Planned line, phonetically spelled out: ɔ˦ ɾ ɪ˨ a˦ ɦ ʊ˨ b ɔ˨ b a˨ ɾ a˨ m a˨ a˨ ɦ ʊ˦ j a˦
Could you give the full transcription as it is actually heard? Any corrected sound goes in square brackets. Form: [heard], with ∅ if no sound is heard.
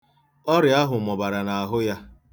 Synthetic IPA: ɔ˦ ɾ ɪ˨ a˦ ɦ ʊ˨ [m] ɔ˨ b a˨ ɾ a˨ [n] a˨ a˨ ɦ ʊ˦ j a˦

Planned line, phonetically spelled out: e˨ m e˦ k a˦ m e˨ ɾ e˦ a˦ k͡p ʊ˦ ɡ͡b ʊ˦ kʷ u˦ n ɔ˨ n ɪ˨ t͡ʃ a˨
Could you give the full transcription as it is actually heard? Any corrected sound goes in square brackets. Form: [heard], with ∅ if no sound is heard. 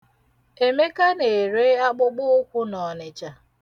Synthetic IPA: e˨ m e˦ k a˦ [n] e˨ ɾ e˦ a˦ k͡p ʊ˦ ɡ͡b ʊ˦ kʷ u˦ n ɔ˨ n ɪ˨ t͡ʃ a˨

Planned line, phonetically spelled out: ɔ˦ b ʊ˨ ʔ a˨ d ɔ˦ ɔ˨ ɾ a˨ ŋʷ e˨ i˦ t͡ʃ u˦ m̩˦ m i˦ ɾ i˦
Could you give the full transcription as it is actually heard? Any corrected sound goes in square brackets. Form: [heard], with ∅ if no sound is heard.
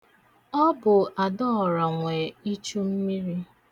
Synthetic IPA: ɔ˦ b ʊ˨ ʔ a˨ d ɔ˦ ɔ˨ ɾ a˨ ŋʷ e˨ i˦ t͡ʃ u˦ m̩˦ m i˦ ɾ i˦

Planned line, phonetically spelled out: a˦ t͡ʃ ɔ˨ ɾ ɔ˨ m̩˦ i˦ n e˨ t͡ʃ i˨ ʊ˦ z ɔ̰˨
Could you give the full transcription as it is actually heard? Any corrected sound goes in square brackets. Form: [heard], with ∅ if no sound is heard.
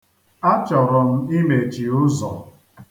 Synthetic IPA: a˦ t͡ʃ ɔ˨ ɾ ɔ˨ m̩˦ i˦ [m] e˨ t͡ʃ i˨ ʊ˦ z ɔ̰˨

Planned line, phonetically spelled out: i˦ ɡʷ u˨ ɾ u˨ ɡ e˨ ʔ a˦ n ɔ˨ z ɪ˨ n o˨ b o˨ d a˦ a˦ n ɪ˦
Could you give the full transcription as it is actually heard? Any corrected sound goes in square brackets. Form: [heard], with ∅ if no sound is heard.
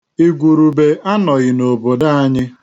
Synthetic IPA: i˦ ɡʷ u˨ ɾ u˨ [b] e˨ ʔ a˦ n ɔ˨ [ɣ] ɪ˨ n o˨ b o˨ d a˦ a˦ [ɲ] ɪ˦

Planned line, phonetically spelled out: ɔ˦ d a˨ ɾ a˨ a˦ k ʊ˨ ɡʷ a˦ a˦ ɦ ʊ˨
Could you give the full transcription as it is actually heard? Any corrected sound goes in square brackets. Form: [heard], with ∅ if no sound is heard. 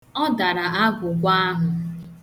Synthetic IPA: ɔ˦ d a˨ ɾ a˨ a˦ [ɡ] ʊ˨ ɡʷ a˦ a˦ ɦ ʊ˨

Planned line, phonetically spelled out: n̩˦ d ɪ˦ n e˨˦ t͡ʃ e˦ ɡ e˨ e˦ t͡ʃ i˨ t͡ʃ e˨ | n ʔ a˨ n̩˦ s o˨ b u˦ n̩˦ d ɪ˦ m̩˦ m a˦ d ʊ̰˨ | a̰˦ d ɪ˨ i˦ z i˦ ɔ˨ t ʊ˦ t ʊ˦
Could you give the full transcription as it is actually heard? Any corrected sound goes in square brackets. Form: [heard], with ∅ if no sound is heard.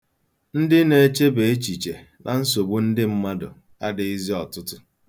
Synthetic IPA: n̩˦ d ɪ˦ n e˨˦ t͡ʃ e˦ [b] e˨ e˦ t͡ʃ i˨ t͡ʃ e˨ | n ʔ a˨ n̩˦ s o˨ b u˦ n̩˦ d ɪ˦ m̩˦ m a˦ d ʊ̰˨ | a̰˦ d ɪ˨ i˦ z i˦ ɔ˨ t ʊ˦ t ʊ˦

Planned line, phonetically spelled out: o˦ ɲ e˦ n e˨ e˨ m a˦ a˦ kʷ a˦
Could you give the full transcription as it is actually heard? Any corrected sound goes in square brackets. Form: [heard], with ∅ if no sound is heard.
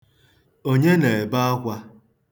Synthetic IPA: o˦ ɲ e˦ n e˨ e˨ [b] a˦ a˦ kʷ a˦

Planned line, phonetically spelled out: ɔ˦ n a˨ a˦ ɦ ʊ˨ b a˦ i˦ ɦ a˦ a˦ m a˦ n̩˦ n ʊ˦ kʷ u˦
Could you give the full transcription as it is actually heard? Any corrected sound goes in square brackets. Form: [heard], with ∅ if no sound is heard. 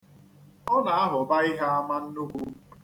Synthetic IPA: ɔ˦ n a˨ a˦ ɦ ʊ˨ b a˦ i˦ ɦ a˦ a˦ m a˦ n̩˦ n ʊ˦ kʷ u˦

